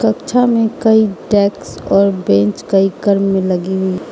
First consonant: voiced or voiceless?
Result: voiceless